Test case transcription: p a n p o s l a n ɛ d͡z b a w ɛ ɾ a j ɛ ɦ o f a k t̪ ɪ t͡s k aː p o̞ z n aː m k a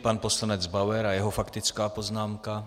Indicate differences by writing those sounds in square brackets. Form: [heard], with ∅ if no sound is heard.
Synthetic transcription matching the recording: p a n p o s l a n ɛ d͡z b a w ɛ ɾ a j ɛ ɦ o f a k t̪ ɪ t͡s k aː p o̞ z n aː m k a